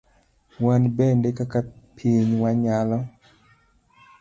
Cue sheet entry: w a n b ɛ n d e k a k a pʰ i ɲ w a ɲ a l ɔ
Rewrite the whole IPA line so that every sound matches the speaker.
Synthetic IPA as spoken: w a n b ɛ n d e k a k a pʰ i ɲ w a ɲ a l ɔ